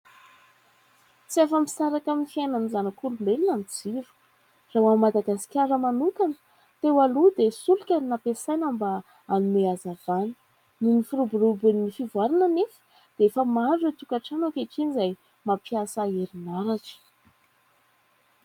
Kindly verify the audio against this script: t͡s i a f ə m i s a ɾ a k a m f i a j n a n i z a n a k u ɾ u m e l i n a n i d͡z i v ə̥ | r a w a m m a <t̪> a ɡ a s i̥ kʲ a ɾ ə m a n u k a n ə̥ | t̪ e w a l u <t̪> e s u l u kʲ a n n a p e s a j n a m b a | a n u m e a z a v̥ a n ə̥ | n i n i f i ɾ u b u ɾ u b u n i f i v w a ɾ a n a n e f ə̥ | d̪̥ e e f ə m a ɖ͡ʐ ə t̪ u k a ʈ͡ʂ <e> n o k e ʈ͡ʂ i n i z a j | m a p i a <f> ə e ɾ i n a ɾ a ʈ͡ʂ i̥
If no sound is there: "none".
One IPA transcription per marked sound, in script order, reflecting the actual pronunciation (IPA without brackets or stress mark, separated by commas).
d̪, d̪, a, s